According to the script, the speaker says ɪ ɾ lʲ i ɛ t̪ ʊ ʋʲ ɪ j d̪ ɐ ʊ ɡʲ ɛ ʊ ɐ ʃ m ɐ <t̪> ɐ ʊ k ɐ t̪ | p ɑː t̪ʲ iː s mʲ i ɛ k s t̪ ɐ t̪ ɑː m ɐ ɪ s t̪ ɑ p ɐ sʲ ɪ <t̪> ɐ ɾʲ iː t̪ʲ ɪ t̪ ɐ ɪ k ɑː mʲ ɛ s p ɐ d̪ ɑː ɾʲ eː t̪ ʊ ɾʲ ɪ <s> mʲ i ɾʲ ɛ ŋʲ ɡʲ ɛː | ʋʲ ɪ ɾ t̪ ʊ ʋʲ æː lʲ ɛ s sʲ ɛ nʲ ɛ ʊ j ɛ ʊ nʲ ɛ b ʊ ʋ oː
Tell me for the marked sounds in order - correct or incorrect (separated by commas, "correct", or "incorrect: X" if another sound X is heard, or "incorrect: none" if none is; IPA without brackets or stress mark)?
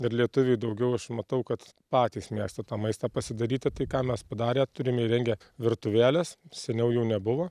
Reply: correct, incorrect: d̪, incorrect: none